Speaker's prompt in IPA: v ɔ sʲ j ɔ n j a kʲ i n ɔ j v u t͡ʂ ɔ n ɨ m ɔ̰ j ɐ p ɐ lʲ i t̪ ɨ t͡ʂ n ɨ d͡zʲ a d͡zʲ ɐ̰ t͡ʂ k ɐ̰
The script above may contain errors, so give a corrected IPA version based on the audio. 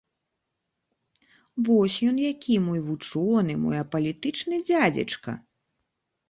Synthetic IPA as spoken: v ɔ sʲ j ɔ n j a kʲ i m ɔ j v u t͡ʂ ɔ n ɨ m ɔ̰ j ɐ p ɐ lʲ i t̪ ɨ t͡ʂ n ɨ d͡zʲ a d͡zʲ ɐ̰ t͡ʂ k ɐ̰